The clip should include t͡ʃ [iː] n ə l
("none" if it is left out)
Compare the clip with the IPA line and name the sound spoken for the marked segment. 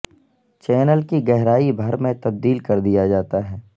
ɛː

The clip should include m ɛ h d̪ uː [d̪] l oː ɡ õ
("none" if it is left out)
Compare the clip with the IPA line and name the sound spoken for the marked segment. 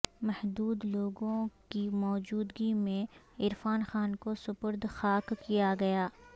d̪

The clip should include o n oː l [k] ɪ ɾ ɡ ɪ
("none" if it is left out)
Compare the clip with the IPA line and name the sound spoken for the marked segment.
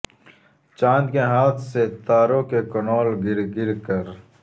ɡ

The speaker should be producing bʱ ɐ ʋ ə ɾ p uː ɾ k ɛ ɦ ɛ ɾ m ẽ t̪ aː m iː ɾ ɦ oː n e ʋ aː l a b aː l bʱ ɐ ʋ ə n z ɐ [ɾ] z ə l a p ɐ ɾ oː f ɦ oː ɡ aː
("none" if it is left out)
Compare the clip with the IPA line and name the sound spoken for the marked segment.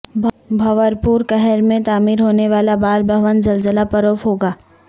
l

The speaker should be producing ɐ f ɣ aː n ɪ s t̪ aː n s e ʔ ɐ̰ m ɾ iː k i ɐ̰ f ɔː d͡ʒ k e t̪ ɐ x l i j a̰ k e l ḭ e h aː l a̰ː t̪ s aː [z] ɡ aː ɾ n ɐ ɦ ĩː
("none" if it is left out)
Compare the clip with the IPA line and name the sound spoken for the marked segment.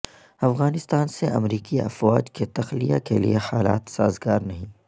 z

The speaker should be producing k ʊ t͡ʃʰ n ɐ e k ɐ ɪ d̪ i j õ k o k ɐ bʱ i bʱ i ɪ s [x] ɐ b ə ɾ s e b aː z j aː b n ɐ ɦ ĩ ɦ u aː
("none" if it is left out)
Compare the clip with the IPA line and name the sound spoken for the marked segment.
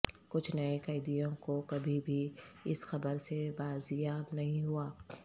x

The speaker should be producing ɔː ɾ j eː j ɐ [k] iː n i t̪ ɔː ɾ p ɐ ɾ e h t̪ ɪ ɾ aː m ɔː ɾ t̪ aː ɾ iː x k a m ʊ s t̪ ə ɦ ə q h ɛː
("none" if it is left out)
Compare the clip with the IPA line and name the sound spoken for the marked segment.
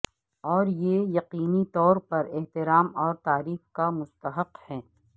q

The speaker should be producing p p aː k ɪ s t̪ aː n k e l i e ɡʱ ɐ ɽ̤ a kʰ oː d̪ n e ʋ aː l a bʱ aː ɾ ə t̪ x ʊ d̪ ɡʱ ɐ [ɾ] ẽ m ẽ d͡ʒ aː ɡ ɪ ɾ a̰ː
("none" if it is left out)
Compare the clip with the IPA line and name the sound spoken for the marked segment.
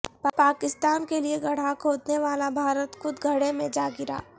ɽ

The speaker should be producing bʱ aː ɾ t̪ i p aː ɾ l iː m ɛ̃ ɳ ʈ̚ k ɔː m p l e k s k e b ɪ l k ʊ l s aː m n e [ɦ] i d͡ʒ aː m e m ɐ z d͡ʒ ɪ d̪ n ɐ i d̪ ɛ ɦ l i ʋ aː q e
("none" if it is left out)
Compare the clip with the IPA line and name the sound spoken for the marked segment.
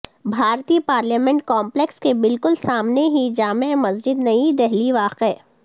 ɦ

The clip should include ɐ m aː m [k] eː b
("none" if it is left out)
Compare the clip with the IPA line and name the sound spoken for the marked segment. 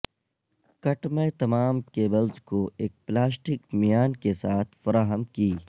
k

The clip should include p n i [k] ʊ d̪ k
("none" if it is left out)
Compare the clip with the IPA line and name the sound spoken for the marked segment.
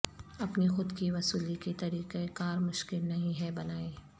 x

